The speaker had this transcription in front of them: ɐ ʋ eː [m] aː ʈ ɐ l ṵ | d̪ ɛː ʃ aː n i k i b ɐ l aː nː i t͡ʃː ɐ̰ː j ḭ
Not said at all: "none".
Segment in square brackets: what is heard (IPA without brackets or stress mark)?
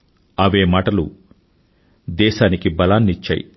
m